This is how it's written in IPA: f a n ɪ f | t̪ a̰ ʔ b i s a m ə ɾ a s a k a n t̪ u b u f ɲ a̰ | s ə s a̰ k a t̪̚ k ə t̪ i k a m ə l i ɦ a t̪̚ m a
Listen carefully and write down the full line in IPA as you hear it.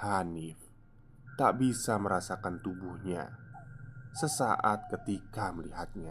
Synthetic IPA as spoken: h a n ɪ f | t̪ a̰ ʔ b i s a m ə ɾ a s a k a n t̪ u b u h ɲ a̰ | s ə s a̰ ʔ a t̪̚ k ə t̪ i k a m ə l i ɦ a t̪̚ ɲ a